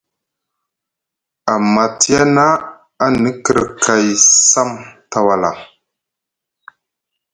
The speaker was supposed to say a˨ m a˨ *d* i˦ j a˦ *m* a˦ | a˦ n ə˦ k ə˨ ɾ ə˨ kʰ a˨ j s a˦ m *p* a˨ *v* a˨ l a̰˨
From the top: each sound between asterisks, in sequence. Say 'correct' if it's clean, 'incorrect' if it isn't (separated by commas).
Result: incorrect, incorrect, incorrect, incorrect